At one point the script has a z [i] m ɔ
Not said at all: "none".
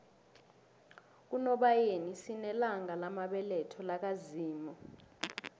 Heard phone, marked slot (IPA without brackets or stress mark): iː